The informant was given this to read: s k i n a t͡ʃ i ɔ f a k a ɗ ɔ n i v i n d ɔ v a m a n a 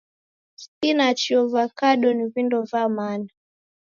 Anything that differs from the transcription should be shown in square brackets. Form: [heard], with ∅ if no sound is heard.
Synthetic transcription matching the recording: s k i n a t͡ʃ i ɔ [v] a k a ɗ ɔ n i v i n d ɔ v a m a n a